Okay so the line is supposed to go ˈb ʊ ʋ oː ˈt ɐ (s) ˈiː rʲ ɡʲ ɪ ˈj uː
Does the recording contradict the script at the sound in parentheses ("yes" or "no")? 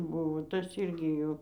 no